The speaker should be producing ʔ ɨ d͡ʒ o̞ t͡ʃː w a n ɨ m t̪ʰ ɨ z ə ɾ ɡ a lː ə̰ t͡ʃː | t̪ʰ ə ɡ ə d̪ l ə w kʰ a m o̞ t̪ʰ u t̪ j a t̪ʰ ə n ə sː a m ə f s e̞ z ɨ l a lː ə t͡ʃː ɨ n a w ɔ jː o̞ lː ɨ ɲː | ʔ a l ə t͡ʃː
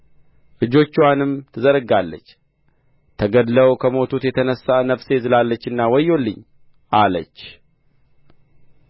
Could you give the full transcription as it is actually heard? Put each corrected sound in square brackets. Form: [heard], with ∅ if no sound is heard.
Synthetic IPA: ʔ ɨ d͡ʒ o̞ t͡ʃː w a n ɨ m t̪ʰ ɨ z ə ɾ ɡ a lː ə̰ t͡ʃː | t̪ʰ ə ɡ ə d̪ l ə w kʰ [ə] m o̞ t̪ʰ u t̪ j [ɛ] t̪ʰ ə n ə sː a [n] ə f s e̞ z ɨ l a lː ə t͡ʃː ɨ [nː] a w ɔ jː o̞ lː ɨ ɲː | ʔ a l ə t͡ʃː